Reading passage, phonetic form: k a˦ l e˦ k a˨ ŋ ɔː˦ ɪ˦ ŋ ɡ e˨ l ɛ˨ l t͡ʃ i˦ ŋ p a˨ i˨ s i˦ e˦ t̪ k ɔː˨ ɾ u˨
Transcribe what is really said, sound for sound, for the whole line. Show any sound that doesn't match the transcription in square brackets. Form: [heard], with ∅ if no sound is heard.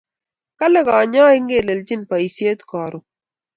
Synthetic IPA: k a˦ l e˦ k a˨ [ɲ] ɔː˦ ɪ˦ ŋ ɡ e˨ l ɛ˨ l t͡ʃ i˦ [n] p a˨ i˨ s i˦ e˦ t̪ k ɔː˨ ɾ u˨